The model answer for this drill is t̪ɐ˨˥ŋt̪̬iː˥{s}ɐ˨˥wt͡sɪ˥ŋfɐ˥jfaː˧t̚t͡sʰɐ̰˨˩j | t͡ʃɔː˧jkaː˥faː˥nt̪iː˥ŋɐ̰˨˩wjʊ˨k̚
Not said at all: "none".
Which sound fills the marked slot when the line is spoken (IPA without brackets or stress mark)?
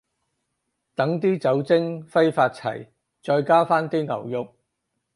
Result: t͡s